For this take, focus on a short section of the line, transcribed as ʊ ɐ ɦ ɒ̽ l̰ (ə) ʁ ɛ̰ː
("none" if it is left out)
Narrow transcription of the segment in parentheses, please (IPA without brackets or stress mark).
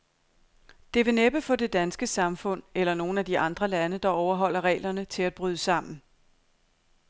ɐ